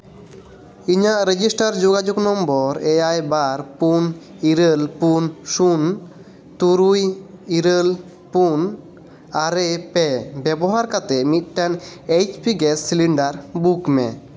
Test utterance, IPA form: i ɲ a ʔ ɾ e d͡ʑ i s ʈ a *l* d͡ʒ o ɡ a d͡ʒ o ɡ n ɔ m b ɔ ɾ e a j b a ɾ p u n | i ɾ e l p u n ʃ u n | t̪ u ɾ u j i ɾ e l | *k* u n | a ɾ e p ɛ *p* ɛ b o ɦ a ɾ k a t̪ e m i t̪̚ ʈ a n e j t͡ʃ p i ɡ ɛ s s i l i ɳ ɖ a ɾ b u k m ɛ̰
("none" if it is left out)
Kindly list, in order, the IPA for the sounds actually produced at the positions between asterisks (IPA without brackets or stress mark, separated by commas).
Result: ɾ, p, b